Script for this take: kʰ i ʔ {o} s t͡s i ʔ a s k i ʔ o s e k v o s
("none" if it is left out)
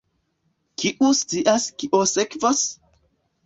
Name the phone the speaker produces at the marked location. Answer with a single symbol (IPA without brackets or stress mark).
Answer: u